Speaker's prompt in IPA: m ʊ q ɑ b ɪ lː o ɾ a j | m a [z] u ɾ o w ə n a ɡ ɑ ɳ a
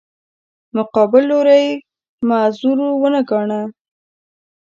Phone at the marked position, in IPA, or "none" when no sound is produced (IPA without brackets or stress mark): z